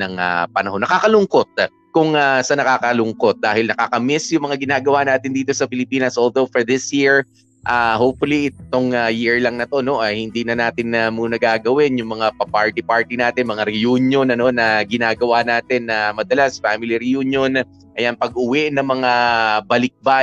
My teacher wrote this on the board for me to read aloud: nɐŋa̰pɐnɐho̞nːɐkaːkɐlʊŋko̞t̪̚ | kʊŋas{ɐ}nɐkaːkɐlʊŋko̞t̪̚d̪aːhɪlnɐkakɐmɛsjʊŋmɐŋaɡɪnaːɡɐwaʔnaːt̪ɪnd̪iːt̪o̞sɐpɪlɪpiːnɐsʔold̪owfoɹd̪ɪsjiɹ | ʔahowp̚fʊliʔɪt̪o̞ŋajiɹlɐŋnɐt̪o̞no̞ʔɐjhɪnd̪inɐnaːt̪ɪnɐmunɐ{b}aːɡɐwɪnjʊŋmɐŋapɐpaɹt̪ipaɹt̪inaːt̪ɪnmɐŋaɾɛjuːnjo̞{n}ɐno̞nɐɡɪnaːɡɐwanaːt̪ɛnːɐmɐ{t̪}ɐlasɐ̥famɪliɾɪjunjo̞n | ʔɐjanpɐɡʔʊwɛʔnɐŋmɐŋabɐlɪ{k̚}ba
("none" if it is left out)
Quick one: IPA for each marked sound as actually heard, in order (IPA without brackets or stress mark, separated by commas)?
ɐ, ɡ, n, d̪, k̚